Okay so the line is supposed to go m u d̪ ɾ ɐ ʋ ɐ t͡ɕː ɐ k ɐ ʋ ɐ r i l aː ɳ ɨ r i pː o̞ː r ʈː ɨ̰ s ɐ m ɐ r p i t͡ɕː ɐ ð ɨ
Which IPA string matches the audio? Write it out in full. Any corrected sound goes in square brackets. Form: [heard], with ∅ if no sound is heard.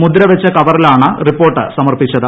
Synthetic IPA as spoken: m u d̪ ɾ ɐ ʋ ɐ t͡ɕː ɐ k ɐ ʋ ɐ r i l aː ɳ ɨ r i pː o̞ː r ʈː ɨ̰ s ɐ m ɐ r p i t͡ɕː ɐ ð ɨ

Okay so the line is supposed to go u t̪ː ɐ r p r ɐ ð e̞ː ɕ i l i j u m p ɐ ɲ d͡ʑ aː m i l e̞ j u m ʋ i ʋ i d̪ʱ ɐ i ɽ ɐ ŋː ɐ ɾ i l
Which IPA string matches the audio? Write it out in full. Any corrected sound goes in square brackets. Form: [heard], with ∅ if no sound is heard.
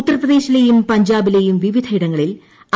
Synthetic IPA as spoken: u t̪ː ɐ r p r ɐ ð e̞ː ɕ i l [e] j u m p ɐ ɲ d͡ʑ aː [b] i l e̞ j u m ʋ i ʋ i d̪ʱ ɐ i ɽ ɐ ŋː ɐ [ɭ] i l

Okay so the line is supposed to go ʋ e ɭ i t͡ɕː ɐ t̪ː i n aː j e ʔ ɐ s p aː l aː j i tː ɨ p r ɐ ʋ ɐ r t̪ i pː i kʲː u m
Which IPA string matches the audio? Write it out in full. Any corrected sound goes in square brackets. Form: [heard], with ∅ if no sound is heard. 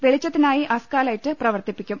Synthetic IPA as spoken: ʋ e ɭ i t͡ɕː ɐ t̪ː i n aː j [i] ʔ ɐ s [k] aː l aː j i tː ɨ p r ɐ ʋ ɐ r t̪ i pː i kʲː u m

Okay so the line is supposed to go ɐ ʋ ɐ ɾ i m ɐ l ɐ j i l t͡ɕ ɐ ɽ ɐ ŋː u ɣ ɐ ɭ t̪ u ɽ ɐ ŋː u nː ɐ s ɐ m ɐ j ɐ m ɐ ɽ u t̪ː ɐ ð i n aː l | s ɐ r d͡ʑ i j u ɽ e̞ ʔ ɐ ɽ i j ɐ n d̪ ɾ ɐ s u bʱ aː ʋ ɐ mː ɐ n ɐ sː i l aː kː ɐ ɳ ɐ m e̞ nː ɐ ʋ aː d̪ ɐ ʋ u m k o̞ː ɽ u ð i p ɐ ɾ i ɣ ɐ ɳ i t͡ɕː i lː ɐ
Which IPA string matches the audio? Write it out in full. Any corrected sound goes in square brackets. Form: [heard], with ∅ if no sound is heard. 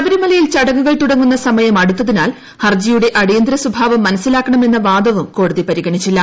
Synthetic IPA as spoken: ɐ ʋ ɐ ɾ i m ɐ l ɐ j i l t͡ɕ ɐ ɽ ɐ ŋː u ɣ ɐ ɭ t̪ u ɽ ɐ ŋː u nː ɐ s ɐ m ɐ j ɐ m ɐ ɽ u t̪ː ɐ ð i n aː l | [h] ɐ r d͡ʑ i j u ɽ e̞ ʔ ɐ ɽ i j ɐ n d̪ ɾ ɐ s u bʱ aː ʋ ɐ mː ɐ n ɐ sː i l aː kː ɐ ɳ ɐ m e̞ nː ɐ ʋ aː d̪ ɐ ʋ u m k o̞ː ɽ u ð i p ɐ ɾ i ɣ ɐ ɳ i t͡ɕː i lː ɐ

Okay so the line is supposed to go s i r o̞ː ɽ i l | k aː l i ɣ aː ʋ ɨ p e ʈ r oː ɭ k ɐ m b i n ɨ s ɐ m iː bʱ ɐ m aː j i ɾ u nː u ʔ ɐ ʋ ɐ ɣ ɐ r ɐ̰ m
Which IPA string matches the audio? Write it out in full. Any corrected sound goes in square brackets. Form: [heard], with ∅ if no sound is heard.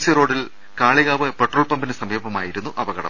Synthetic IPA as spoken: s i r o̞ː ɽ i l | k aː [ɭ] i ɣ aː ʋ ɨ p e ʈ r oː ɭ [p] ɐ m b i n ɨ s ɐ m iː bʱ ɐ m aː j i ɾ u nː u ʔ ɐ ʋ ɐ ɣ ɐ [ɽ] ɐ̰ m

